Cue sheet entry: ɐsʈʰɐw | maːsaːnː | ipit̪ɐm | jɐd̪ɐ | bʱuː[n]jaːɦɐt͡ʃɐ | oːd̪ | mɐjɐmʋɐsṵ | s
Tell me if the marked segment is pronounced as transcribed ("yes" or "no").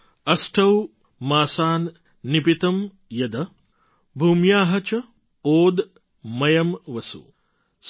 no